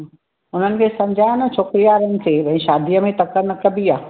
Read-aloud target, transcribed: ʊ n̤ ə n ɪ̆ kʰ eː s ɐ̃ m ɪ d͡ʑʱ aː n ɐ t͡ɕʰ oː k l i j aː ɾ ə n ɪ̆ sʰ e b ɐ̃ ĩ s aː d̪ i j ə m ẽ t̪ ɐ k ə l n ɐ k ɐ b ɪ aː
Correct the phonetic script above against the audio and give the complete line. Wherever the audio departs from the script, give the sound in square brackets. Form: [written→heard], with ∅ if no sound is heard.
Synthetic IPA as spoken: ʊ n̤ ə n ɪ̆ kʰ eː s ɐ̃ m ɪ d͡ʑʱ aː n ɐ t͡ɕʰ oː k [l→ɾ] i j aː ɾ ə n ɪ̆ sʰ e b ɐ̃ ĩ [s→ʃ] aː d̪ i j ə m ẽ t̪ ɐ k ə [l→ɾ] n ɐ k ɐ b [ɪ→i] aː